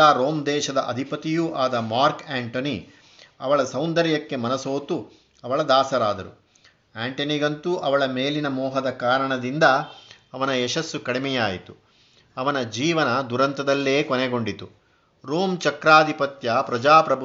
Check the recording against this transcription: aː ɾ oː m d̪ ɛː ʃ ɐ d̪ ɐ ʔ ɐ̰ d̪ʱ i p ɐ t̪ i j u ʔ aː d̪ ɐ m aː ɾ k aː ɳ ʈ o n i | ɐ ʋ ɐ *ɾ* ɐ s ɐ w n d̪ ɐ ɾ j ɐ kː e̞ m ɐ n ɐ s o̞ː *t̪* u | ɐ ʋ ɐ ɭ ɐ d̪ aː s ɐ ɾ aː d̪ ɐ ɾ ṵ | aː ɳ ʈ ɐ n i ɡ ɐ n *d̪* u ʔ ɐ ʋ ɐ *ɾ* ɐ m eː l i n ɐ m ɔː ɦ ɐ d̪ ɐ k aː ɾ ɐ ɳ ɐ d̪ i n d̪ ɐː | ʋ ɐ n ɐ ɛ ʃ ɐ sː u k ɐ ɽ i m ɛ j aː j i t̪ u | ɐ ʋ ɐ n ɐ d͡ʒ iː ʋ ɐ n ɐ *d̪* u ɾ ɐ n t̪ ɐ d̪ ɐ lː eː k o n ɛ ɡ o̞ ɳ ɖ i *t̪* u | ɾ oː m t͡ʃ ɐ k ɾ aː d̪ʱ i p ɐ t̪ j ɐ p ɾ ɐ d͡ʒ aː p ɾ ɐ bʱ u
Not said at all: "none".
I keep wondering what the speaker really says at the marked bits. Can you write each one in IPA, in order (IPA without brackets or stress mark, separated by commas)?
ɭ, t̪, t̪, ɭ, d̪, t̪